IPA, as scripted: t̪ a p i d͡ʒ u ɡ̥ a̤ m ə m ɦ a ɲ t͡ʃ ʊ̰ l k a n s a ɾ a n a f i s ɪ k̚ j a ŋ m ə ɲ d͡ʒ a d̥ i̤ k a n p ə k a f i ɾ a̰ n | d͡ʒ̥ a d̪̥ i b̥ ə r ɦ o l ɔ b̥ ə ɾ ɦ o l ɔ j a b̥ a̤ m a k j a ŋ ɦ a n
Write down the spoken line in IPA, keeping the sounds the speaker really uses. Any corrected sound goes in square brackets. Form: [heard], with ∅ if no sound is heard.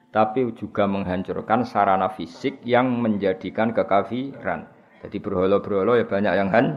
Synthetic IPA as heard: t̪ a p i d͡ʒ u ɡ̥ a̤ m ə [ŋ] ɦ a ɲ t͡ʃ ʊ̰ [r] k a n s a ɾ a n a f i s ɪ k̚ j a ŋ m ə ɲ d͡ʒ a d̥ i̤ k a n [k] ə k a f i ɾ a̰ n | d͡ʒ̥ a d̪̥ i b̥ ə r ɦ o l ɔ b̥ ə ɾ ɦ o l ɔ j a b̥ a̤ [ɲ] a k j a ŋ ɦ a n